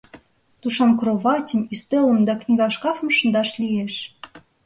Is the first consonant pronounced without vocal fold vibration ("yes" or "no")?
yes